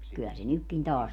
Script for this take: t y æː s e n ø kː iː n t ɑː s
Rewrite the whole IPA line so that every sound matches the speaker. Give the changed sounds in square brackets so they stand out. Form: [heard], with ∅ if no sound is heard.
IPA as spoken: [k] y [æ] s e n [y] kː [i] n t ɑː s